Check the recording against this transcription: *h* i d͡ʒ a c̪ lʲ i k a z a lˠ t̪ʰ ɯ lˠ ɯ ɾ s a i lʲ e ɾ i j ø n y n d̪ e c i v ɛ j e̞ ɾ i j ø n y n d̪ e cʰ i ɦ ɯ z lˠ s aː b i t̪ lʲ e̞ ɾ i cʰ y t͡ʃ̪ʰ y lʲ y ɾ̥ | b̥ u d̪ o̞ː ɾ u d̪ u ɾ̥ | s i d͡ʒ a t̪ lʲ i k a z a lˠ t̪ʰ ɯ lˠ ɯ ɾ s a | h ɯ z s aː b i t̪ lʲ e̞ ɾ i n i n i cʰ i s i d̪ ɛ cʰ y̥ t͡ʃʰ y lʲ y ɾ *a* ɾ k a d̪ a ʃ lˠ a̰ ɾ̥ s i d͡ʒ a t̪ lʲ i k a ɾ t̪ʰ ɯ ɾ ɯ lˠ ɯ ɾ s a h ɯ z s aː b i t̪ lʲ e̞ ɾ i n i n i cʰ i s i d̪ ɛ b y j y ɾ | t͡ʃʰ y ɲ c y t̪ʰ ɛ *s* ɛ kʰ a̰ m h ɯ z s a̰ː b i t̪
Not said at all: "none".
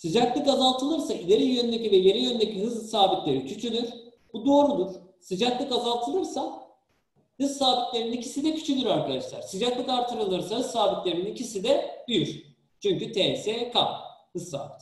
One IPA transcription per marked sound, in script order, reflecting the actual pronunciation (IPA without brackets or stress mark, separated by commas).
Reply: s, a, s